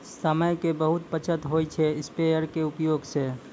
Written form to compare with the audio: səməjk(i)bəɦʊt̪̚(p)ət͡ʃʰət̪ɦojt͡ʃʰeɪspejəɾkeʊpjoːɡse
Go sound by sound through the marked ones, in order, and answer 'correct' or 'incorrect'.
incorrect: e, correct

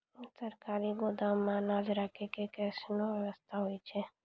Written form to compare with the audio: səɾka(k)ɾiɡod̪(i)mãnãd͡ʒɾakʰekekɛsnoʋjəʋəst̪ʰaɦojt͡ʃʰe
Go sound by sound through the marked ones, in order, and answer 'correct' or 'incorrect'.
incorrect: none, incorrect: a

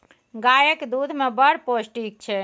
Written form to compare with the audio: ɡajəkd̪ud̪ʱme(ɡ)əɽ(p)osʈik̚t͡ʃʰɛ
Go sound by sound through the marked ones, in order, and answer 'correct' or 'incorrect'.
incorrect: b, correct

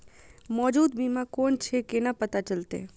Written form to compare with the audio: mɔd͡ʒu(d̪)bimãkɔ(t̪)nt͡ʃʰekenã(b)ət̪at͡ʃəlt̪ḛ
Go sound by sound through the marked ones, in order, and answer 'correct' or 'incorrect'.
correct, incorrect: none, incorrect: p

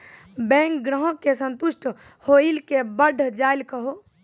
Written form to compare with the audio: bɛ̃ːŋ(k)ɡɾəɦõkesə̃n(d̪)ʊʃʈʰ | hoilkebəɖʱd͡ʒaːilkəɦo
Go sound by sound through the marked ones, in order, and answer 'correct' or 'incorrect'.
correct, incorrect: t̪

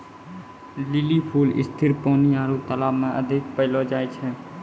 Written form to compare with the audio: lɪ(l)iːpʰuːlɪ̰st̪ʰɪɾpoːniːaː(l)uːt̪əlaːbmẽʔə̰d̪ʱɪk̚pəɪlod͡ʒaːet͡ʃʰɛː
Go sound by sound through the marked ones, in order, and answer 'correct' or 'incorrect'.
correct, incorrect: ɾ

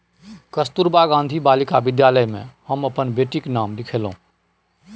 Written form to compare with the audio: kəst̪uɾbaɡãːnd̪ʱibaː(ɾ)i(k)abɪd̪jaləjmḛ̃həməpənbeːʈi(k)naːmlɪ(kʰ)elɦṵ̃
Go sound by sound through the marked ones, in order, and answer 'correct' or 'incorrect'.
incorrect: l, correct, correct, correct

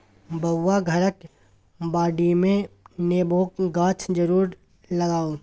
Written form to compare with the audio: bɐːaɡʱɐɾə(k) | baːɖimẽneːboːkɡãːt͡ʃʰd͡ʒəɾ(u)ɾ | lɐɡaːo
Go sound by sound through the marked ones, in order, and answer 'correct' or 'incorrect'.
correct, incorrect: uː

